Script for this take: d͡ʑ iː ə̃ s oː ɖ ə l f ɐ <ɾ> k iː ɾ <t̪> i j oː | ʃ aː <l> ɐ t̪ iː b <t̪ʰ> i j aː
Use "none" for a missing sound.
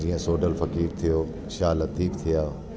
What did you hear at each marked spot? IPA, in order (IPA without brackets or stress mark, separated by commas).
none, t̪ʰ, l, t̪ʰ